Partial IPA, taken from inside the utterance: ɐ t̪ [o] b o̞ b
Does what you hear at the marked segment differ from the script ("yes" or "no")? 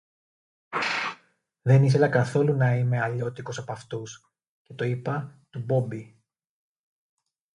yes